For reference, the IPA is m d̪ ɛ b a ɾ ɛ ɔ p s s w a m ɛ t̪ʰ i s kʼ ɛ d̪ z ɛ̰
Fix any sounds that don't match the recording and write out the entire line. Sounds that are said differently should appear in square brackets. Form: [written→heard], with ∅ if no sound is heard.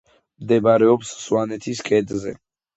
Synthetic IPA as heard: m d̪ ɛ b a ɾ ɛ ɔ p s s w a [m→n] ɛ t̪ʰ i s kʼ ɛ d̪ z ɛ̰